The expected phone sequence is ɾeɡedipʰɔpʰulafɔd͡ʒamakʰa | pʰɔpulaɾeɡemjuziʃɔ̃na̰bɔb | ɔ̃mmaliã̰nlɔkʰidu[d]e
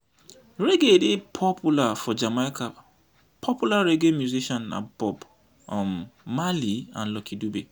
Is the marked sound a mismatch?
yes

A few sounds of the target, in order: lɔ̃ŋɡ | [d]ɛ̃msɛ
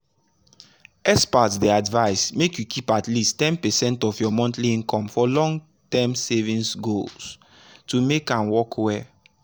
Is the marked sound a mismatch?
yes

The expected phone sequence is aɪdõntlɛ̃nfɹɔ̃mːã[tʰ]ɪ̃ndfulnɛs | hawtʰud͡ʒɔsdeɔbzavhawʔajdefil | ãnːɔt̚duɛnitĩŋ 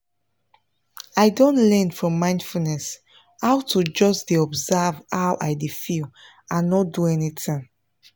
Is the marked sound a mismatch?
yes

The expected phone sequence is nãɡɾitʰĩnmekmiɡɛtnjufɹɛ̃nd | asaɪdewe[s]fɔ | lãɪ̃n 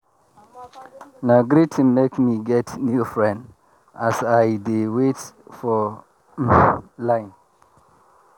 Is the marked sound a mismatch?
yes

